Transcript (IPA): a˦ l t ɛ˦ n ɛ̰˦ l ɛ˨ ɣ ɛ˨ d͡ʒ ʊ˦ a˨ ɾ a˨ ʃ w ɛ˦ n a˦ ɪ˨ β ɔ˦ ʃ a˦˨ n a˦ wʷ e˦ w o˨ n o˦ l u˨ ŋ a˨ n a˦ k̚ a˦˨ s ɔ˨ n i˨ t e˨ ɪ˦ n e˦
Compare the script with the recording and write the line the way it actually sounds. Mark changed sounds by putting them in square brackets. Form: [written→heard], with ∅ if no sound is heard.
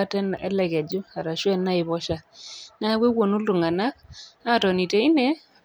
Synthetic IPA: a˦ [l→∅] t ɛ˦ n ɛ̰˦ l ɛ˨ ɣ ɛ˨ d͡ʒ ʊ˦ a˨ ɾ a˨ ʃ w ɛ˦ n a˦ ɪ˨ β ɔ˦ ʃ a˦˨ n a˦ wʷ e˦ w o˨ n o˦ l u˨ ŋ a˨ n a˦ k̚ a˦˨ [s→t] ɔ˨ n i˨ t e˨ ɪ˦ n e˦